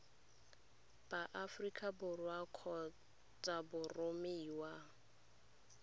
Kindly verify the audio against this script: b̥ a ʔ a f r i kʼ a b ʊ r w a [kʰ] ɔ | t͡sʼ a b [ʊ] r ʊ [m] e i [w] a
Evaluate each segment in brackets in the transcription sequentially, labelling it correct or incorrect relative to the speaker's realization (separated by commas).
correct, correct, correct, correct